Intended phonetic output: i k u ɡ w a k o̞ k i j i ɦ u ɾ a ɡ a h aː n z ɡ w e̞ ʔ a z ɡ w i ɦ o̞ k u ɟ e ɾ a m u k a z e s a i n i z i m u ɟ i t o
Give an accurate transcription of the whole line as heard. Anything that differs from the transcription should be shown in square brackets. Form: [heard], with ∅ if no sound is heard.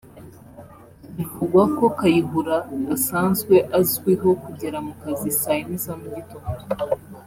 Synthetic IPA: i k u ɡ w a k o̞ k [a] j i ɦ u ɾ a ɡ a [s] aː n z ɡ w e̞ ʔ a z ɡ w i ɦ o̞ k u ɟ e ɾ a m u k a z [i] s a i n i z [a] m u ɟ i t o